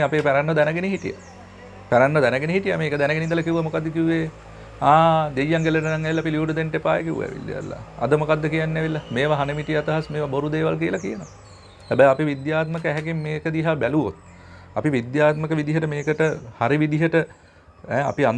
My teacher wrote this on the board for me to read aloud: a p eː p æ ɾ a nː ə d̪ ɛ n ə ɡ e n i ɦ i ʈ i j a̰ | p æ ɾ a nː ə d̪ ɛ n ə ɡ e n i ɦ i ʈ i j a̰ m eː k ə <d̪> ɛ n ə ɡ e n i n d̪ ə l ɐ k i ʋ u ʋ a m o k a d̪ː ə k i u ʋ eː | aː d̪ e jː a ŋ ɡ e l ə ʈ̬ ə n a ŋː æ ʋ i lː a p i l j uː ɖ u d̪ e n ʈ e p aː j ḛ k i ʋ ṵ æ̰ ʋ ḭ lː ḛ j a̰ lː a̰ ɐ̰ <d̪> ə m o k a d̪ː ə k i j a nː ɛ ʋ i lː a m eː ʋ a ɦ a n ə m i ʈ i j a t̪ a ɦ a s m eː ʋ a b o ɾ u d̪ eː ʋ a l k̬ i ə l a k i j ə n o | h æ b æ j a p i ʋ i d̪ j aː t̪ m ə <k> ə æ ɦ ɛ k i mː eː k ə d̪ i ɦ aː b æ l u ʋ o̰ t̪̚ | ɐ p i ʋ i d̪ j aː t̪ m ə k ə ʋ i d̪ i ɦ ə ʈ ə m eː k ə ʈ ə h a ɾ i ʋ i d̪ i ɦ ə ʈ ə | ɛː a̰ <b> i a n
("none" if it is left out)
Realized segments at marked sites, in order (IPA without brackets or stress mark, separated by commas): d̪, d̪, k, p